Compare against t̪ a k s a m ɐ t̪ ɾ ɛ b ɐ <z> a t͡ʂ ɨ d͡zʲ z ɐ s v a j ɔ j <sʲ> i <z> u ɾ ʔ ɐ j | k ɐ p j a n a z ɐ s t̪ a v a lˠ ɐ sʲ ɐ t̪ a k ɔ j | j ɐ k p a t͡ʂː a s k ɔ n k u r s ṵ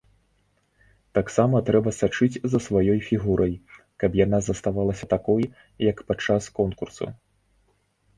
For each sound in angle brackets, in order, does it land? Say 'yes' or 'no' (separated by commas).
no, no, no